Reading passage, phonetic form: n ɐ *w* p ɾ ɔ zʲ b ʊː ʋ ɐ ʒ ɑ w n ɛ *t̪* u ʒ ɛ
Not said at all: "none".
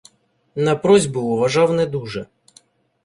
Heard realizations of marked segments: none, d̪

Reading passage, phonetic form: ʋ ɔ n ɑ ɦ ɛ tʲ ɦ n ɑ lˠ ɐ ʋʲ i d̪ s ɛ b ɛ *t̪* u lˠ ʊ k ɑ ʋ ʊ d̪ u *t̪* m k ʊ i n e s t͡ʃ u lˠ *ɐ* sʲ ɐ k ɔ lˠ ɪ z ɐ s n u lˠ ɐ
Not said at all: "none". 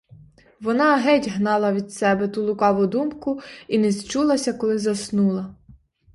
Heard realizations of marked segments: t̪, none, ɐ

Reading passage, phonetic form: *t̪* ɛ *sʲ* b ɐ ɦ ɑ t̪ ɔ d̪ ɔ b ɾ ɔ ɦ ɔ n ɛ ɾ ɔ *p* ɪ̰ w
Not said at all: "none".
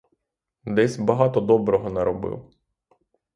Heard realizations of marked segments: d̪, sʲ, b

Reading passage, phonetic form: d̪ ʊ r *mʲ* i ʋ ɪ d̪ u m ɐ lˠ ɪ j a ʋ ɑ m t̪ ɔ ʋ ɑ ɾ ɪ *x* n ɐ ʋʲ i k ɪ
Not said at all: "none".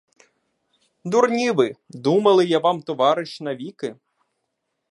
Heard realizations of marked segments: nʲ, ʃ

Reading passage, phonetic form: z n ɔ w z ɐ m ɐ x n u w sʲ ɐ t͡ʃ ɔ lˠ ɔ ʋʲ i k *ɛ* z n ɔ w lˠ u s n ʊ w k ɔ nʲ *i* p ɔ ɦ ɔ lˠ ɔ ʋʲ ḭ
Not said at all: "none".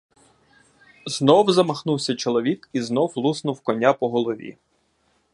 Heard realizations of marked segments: i, a

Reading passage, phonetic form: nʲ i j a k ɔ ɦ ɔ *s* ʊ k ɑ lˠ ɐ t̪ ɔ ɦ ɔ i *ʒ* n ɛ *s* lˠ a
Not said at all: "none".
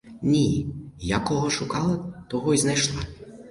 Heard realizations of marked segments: ʃ, z, ʃ

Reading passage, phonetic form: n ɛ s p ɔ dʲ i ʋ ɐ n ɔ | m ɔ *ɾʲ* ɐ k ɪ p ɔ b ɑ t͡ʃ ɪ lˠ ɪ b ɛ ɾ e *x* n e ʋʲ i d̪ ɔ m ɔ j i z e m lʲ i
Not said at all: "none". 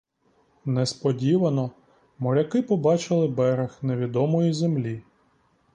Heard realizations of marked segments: ɾʲ, x

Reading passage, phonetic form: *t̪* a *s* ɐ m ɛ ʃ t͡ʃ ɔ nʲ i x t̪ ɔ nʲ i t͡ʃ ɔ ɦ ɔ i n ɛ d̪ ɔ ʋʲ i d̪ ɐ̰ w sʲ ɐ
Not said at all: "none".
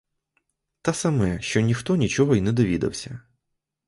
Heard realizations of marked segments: t̪, s

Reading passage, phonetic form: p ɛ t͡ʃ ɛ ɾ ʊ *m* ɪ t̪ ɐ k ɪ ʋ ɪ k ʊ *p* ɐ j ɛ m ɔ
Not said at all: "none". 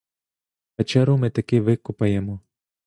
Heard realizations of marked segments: m, p

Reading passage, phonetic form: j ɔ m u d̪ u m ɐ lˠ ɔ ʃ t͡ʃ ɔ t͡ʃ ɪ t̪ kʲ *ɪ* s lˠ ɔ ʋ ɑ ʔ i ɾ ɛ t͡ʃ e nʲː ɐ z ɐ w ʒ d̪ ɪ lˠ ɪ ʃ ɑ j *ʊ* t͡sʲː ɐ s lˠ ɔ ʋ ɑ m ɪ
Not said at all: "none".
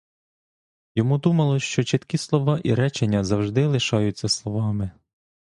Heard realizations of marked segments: i, ʊ

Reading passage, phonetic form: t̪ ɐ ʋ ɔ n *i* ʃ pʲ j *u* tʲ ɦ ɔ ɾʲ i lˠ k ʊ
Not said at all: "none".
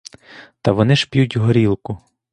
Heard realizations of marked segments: ɪ, u

